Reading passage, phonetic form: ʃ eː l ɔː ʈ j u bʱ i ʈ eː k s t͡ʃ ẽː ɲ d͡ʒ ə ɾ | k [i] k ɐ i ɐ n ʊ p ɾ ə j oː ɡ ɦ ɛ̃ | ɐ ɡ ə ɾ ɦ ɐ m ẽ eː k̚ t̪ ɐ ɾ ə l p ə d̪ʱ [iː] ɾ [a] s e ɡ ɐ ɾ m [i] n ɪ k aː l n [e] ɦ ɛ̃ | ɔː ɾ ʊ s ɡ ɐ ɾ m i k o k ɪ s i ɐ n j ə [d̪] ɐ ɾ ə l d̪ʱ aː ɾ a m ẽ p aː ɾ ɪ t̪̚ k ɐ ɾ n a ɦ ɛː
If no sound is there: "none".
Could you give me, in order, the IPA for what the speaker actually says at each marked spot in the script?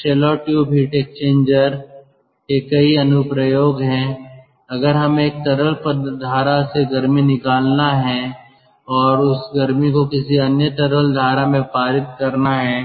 e, aː, a, i, a, t̪

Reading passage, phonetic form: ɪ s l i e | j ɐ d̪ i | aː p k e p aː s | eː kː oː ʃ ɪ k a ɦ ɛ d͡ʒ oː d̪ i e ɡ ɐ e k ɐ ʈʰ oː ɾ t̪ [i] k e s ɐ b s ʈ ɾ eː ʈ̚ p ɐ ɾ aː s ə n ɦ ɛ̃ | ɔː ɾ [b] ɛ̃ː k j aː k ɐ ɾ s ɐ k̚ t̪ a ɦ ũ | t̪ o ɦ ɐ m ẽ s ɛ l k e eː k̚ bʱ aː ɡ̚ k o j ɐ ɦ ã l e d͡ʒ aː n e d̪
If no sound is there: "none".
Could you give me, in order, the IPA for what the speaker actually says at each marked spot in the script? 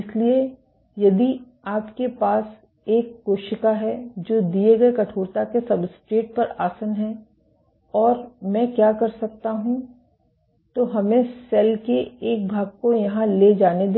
a, m

